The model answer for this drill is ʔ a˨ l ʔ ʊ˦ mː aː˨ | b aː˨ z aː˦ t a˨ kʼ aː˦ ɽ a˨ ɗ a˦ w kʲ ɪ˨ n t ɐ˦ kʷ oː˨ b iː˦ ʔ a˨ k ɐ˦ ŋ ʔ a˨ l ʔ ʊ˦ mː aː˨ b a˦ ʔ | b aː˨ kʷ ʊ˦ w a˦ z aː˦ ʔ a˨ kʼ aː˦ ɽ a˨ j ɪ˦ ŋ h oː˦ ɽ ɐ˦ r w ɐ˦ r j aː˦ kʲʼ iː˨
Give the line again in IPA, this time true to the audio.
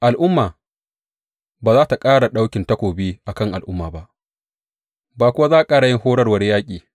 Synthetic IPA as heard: ʔ a˨ l ʔ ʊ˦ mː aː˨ | b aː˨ z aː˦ t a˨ kʼ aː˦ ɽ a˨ ɗ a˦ w kʲ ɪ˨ n t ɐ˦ kʷ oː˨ b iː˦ ʔ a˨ k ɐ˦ ŋ ʔ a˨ l ʔ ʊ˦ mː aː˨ b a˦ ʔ | b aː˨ kʷ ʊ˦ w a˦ z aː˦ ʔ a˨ kʼ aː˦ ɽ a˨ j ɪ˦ ŋ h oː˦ ɽ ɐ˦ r w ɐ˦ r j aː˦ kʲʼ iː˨